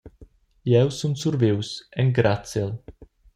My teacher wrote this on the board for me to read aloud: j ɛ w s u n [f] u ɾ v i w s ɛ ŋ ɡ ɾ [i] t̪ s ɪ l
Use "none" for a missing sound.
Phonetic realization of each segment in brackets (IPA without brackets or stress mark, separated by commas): s, a